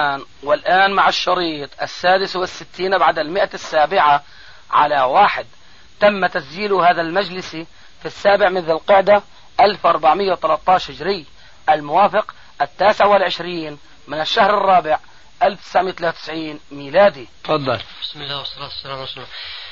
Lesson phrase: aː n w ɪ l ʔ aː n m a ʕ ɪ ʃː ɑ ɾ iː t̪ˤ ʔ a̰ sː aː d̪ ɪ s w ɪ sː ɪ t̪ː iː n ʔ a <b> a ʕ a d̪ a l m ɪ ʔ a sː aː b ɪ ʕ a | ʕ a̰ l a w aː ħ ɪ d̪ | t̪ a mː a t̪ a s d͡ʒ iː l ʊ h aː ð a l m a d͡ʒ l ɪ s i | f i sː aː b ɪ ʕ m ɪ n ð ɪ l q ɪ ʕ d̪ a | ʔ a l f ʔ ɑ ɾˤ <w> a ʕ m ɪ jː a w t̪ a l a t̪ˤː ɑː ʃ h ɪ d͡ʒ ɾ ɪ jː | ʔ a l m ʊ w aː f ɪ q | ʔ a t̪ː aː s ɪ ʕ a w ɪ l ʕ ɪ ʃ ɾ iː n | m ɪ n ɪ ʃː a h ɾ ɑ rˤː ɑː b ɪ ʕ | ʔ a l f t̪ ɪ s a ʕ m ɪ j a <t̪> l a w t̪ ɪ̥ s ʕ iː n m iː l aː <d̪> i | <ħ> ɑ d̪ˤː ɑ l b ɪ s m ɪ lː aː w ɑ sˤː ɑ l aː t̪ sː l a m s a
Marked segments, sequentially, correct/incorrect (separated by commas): correct, incorrect, correct, correct, incorrect